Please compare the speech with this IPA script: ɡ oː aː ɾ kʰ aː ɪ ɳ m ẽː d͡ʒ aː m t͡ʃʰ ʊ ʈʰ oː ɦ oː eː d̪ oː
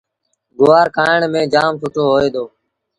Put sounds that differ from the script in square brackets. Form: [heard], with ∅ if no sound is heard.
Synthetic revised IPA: ɡ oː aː ɾ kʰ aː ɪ ɳ m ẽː d͡ʒ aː m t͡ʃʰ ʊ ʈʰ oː ɦ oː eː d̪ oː